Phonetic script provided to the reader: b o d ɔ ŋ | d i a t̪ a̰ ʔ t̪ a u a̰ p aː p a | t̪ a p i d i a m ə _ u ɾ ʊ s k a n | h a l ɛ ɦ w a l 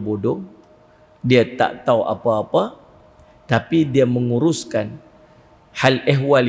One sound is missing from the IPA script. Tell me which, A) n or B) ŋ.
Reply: B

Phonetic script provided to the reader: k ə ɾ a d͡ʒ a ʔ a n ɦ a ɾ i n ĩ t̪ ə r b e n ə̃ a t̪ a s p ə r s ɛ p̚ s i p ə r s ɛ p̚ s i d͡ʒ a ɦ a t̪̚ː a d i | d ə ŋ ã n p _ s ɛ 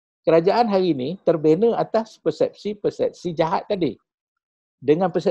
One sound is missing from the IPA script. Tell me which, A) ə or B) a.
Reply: A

